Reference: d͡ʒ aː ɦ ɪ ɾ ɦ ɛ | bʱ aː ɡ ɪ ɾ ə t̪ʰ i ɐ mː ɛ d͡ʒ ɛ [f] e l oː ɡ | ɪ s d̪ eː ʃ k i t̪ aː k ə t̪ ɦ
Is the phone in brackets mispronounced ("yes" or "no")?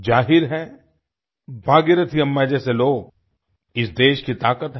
yes